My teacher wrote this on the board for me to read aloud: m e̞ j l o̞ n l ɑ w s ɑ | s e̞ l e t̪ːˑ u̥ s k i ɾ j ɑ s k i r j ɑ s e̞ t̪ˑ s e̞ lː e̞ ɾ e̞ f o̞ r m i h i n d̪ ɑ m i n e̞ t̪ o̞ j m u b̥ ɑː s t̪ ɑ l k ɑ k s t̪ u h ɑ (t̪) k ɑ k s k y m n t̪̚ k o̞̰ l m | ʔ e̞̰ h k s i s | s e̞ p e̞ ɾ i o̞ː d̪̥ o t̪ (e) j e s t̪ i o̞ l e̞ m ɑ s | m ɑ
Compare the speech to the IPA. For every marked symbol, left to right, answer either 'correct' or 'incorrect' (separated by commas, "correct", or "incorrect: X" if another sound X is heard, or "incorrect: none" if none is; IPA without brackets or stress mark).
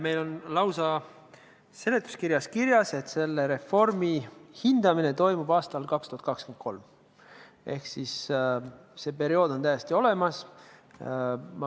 correct, incorrect: æ